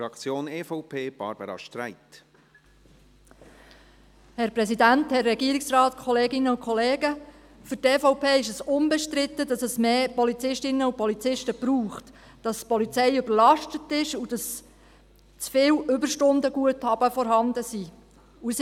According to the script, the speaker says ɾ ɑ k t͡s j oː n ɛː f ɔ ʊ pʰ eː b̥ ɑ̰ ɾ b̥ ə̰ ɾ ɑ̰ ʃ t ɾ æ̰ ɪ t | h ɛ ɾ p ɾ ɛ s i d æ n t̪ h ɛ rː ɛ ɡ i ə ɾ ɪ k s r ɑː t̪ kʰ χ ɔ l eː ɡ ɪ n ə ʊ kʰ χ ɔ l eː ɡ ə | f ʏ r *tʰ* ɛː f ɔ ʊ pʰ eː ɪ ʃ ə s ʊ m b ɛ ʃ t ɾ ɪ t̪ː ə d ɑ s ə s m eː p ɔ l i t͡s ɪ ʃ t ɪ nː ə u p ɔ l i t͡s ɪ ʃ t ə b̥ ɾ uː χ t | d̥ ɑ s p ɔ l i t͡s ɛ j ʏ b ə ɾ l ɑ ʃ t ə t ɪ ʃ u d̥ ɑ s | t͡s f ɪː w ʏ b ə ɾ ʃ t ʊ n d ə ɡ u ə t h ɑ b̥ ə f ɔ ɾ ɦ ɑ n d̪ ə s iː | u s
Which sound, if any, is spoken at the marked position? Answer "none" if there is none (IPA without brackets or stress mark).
t